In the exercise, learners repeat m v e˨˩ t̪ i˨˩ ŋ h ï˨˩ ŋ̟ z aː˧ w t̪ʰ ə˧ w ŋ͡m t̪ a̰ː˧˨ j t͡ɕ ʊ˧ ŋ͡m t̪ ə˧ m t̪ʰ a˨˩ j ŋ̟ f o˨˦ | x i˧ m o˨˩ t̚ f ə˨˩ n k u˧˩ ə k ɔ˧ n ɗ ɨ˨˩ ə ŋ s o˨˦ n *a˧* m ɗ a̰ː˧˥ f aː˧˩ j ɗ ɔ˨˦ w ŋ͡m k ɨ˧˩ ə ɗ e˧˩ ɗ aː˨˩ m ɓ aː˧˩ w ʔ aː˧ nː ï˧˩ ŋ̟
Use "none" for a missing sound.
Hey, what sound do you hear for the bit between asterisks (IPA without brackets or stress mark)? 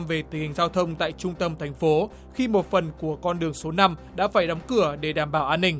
a˧